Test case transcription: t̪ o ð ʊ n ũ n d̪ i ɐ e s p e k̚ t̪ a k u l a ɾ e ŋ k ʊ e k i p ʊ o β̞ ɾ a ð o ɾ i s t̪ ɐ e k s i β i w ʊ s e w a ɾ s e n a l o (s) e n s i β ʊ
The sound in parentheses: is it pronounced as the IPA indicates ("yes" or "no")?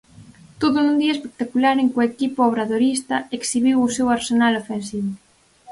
no